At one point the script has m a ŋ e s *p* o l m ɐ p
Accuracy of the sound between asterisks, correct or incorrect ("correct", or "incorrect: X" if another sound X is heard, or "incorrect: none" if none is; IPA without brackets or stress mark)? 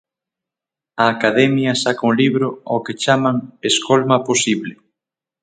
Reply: incorrect: k